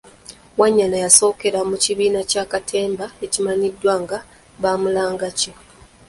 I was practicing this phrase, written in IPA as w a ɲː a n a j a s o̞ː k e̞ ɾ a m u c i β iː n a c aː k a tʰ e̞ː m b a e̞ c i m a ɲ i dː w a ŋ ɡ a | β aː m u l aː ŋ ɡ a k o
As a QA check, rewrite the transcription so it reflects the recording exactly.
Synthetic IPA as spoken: w a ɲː a n a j a s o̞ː k e̞ ɾ a m u c i β iː n a c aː k a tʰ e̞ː m b a e̞ c i m a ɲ i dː w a ŋ ɡ a | β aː m u l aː ŋ ɡ a c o